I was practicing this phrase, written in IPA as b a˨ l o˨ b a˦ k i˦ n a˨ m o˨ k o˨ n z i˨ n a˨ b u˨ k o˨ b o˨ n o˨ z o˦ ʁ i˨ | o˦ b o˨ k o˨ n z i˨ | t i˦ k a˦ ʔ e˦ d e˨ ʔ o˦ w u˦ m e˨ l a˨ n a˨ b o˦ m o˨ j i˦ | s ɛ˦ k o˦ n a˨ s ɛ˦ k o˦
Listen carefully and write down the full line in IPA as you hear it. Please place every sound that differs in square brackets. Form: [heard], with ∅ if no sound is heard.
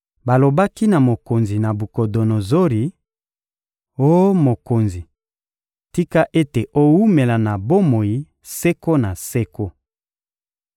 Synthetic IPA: b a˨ l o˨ b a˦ k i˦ n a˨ m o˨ k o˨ n z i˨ n a˨ b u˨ k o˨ [d] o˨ n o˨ z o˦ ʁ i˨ | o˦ [m] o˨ k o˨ n z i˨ | t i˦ k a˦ ʔ e˦ [t] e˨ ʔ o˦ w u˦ m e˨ l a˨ n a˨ b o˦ m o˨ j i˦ | s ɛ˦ k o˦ n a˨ s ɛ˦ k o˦